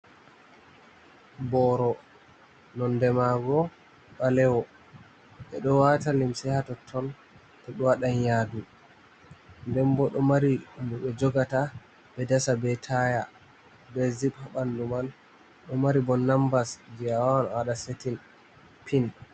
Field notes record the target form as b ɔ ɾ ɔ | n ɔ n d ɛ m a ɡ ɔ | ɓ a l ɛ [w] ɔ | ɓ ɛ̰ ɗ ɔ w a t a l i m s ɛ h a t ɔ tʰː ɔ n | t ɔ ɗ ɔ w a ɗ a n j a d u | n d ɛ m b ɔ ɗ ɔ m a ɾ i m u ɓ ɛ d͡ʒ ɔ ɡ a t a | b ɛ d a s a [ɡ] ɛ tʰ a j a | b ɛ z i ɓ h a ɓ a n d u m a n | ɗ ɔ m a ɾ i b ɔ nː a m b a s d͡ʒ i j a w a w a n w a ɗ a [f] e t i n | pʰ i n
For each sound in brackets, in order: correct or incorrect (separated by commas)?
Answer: correct, incorrect, incorrect